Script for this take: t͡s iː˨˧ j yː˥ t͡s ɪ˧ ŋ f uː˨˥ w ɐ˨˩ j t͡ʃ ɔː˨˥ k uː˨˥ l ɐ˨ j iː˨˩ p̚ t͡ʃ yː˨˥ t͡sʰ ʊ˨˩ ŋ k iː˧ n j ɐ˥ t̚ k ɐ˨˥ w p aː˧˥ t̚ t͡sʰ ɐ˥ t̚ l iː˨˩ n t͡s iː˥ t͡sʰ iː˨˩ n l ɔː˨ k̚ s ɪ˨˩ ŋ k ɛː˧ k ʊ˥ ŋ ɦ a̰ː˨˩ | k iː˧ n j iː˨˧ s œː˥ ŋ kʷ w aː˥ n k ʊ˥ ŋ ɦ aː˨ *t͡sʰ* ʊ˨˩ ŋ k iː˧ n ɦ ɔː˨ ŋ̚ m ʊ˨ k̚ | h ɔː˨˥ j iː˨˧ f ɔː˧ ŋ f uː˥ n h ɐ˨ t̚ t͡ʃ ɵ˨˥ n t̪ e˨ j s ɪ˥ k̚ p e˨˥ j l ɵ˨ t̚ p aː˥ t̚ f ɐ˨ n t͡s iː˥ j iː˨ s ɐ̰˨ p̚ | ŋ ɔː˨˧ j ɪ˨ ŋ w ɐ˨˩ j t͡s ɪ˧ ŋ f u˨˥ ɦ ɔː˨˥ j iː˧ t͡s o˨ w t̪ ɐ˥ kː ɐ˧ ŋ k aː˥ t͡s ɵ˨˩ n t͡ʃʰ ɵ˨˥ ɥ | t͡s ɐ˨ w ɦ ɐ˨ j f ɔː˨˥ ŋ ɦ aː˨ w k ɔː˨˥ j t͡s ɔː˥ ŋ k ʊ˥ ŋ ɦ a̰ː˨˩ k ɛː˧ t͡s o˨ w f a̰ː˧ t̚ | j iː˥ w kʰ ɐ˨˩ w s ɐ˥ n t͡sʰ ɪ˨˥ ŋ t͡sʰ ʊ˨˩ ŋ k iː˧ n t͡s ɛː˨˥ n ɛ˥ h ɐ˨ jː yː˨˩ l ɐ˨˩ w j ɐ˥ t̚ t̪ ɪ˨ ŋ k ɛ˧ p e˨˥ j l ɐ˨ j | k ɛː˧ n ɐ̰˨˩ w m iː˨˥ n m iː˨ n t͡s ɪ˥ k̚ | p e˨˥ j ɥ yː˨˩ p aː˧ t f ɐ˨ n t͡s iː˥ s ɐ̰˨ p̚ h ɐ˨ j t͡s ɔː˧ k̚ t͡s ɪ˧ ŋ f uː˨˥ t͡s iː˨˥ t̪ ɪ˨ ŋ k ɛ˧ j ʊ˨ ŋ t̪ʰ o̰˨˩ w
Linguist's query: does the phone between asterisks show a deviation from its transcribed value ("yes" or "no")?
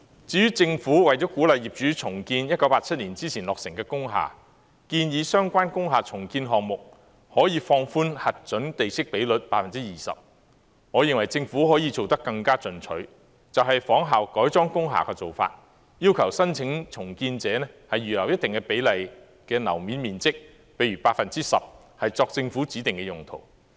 no